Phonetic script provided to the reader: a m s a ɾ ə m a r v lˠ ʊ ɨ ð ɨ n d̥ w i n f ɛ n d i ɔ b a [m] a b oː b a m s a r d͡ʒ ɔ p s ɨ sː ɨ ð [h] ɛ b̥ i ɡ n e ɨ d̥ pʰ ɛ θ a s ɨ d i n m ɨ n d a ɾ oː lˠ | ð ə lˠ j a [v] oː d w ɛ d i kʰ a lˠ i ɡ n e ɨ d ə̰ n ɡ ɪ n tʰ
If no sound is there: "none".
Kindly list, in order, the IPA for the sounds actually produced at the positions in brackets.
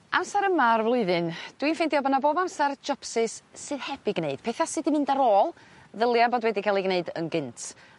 n, h, b

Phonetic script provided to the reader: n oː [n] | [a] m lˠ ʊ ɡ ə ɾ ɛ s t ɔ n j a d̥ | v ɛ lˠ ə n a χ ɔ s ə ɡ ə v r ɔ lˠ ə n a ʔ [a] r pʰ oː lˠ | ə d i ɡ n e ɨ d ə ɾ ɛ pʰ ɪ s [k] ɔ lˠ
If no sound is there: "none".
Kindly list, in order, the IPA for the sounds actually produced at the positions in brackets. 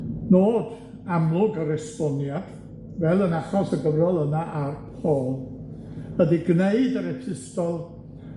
d, a, a, t

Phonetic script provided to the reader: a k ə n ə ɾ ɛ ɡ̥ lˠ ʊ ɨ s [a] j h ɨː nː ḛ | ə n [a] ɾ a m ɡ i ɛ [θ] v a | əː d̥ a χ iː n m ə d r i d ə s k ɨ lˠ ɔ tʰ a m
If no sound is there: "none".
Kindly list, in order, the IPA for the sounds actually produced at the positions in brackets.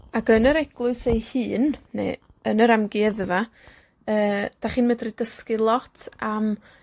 e, ə, ð

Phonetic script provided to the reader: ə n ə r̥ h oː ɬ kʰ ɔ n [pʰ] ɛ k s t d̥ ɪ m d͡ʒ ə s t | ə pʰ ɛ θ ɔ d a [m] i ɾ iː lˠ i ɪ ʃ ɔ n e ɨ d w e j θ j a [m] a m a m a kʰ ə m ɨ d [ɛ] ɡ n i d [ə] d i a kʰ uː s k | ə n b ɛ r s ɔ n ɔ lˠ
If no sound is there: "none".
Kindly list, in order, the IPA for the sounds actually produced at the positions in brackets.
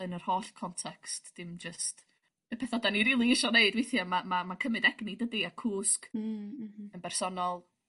tʰ, n, m, ɛ, ə

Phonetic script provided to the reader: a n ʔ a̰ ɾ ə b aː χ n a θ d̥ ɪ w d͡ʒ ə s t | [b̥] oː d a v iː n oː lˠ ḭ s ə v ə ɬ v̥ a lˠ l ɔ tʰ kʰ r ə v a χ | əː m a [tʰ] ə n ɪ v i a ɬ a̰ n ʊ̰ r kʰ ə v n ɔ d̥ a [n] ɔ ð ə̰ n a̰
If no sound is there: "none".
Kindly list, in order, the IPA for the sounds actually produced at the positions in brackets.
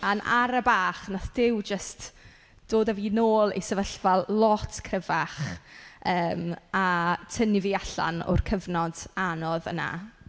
d̥, tʰ, n

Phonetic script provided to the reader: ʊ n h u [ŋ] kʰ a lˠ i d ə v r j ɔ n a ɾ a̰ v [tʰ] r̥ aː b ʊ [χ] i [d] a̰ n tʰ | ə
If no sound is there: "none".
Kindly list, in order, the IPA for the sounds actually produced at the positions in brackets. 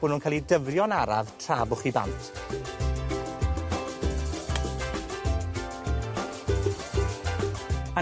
n, tʰ, χ, b

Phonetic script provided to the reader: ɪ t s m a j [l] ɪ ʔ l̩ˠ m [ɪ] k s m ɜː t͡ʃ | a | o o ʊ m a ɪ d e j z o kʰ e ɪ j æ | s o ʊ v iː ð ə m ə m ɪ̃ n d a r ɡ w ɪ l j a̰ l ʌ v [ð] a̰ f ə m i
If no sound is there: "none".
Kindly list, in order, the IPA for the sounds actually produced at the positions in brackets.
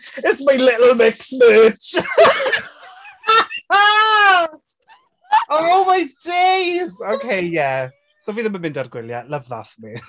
l, ɪ, ð

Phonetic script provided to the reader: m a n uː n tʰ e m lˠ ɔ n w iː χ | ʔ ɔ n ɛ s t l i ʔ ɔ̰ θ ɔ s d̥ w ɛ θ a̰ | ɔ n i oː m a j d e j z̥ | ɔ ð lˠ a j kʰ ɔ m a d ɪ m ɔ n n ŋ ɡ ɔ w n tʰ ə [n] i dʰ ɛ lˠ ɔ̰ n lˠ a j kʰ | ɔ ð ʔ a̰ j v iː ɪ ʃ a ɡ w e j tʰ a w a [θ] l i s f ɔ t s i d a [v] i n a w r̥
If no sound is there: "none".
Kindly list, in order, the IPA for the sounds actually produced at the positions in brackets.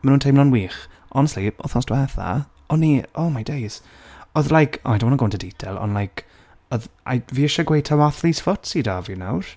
d, θ, v

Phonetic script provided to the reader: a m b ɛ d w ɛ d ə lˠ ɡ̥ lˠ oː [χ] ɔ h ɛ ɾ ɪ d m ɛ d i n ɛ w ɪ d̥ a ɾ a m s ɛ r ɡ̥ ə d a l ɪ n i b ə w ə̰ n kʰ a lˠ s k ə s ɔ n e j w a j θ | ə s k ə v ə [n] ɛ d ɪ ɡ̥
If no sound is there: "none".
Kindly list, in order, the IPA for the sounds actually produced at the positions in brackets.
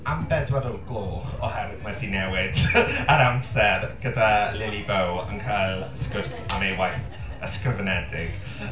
χ, n

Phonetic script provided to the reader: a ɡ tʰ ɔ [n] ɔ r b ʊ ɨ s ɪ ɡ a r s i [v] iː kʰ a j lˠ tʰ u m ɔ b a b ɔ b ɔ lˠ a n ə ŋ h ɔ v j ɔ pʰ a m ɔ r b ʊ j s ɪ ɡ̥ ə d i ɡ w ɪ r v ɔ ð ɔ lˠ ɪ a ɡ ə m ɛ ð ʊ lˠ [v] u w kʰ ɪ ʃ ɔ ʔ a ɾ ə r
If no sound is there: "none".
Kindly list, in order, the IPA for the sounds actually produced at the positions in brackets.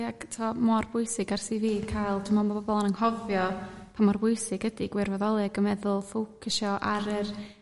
m, v, f

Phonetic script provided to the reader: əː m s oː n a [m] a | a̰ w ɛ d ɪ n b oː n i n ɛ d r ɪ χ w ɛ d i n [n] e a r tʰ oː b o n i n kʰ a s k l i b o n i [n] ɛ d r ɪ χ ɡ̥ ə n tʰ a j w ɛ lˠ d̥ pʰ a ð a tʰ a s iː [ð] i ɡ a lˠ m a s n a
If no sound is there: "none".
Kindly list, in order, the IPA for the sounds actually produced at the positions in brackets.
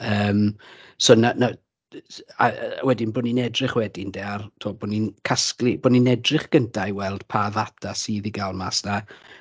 n, d, n, ð

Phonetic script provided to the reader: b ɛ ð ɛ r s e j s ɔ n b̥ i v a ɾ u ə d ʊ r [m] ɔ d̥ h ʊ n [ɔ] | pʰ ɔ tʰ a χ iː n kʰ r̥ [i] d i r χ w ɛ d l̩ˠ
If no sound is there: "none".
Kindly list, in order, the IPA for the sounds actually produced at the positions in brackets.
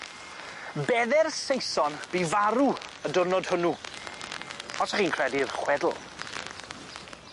n, u, ɛ

